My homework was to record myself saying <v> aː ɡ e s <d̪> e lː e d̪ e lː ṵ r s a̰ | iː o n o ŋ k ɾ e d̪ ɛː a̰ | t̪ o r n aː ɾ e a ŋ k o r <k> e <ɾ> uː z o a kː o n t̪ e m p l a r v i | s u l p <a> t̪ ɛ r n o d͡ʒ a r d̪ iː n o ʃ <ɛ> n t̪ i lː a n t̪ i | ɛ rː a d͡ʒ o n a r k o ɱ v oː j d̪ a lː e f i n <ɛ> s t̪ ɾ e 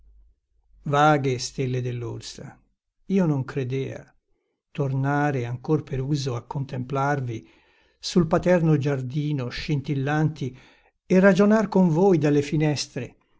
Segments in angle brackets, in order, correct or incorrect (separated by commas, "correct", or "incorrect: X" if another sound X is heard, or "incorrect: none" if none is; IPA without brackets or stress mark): correct, incorrect: t̪, incorrect: p, correct, correct, incorrect: i, correct